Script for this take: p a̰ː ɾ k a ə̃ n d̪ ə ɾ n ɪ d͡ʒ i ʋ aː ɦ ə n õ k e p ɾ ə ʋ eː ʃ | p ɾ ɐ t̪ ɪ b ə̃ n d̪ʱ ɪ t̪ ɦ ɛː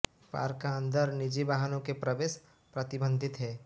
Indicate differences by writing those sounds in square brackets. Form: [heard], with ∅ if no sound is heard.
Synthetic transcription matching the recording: p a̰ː ɾ k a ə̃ n d̪ ə ɾ n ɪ d͡ʒ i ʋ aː ɦ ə n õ k e p ɾ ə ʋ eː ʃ | p ɾ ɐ t̪ ɪ b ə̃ n d̪ʱ ɪ t̪ ɦ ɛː